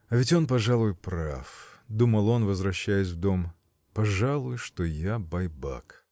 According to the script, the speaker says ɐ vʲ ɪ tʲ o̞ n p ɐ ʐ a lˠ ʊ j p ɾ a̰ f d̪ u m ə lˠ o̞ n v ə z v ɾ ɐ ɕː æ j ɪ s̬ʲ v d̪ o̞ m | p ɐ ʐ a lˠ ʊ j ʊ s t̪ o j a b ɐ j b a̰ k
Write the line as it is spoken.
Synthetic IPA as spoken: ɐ vʲ ɪ tʲ o̞ n p ɐ ʐ a lˠ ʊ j p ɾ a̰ f d̪ u m ə lˠ o̞ n v ə z v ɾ ɐ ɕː æ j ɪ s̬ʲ v d̪ o̞ m | p ɐ ʐ a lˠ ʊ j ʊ ʂ t̪ o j a b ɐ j b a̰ k